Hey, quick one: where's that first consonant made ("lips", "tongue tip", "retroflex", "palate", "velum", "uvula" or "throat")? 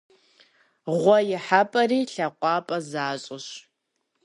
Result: uvula